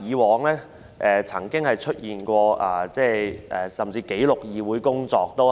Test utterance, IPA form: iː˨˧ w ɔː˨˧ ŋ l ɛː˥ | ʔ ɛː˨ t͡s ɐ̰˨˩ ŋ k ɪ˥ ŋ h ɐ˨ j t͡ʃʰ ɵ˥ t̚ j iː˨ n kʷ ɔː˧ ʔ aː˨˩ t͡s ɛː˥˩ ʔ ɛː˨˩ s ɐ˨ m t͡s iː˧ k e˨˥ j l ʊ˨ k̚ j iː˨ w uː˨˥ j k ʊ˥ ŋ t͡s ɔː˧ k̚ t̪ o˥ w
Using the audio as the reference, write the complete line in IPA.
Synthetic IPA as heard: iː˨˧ w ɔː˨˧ ŋ l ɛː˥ | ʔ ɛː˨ t͡sʰ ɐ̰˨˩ ŋ k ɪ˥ ŋ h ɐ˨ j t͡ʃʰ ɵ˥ t̚ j iː˨ n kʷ ɔː˧ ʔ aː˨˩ t͡s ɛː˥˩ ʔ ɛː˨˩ s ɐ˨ m t͡s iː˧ k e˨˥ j l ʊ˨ k̚ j iː˨ w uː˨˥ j k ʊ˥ ŋ t͡s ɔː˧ k̚ t̪ o˥ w